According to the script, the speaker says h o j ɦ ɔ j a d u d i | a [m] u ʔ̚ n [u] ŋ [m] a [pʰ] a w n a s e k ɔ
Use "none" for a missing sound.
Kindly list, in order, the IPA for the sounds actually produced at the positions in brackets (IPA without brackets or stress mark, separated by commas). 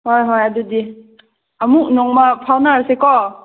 m, ɔ, m, pʰ